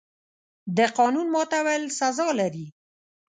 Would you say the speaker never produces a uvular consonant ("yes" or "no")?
no